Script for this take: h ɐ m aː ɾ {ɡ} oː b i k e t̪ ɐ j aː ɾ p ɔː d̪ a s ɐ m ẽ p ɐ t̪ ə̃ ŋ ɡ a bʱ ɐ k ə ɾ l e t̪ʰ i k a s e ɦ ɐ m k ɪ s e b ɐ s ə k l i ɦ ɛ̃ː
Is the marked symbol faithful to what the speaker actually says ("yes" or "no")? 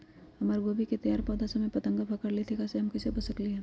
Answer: yes